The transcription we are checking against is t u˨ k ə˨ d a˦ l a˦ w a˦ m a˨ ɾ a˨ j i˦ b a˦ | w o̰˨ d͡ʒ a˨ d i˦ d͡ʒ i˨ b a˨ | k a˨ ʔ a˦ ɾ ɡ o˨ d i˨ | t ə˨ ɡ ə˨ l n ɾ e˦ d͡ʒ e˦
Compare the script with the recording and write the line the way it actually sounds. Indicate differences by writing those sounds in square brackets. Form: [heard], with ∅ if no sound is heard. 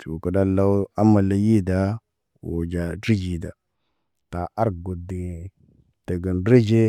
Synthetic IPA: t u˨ k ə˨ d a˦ l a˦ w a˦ m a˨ [l] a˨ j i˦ [d] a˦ | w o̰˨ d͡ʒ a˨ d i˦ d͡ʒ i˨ [d] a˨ | [t] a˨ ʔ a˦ ɾ ɡ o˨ d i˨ | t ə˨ ɡ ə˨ [∅] n ɾ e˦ d͡ʒ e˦